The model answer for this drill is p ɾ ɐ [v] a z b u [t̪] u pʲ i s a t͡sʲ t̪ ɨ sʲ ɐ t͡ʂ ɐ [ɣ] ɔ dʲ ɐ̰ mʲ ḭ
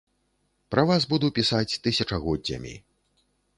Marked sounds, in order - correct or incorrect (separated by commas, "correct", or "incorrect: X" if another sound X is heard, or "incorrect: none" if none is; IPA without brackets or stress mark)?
correct, incorrect: d̪, correct